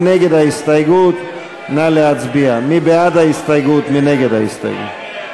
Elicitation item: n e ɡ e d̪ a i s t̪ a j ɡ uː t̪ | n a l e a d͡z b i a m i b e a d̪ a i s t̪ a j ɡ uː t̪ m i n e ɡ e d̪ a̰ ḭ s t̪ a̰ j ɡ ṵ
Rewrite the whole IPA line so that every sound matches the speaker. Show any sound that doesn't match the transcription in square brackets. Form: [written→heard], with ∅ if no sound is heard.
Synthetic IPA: n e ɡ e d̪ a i s t̪ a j ɡ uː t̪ | n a l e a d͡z b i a m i b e a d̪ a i s t̪ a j ɡ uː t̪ m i n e ɡ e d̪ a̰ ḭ s t̪ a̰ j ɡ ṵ